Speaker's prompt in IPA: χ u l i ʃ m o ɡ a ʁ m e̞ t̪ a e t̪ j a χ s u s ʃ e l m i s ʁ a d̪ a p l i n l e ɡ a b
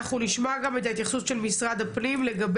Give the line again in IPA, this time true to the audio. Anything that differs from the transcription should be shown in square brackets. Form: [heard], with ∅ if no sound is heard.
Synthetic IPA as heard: χ u l i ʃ m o ɡ a [∅] m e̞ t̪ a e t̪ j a χ s u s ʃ e l m i s ʁ a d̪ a p l i [m] l e ɡ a b